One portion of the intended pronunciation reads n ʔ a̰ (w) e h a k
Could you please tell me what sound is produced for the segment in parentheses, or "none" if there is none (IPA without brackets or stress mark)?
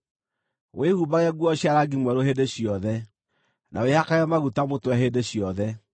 w